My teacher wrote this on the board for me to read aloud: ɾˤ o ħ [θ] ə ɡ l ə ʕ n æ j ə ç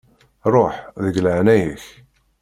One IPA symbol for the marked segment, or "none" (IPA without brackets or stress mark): ð